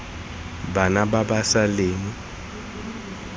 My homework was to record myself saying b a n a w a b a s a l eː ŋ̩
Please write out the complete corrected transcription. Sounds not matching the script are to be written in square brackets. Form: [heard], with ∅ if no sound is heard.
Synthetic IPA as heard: b a n a [b] a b a s a l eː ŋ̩